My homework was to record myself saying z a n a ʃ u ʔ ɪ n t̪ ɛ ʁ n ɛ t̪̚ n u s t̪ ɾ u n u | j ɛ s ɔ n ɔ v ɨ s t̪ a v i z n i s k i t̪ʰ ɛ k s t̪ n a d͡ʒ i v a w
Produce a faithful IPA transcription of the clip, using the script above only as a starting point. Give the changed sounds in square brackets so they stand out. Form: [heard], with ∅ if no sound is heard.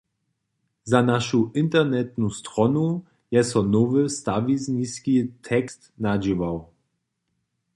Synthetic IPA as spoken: z a n a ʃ u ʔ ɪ n t̪ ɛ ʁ n ɛ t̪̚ n u s t̪ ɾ [ɔ] n u | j ɛ s ɔ n ɔ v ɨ s t̪ a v i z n i s k i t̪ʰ ɛ k s t̪ n a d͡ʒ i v a w